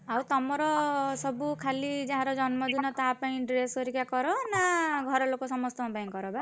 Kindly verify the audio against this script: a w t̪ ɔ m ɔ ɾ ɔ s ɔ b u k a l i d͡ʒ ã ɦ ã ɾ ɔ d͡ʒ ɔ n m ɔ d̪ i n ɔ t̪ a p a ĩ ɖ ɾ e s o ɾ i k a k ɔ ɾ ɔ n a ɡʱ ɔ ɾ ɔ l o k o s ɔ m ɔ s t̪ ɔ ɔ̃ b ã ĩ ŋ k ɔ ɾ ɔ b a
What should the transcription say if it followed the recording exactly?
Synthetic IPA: a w t̪ ɔ m ɔ ɾ ɔ s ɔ b u kʰ a l i d͡ʒ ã ɦ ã ɾ ɔ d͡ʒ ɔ n m ɔ d̪ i n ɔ t̪ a p a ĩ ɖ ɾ e s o ɾ i k a k ɔ ɾ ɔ n a ɡʱ ɔ ɾ ɔ l o k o s ɔ m ɔ s t̪ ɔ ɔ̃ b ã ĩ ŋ k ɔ ɾ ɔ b a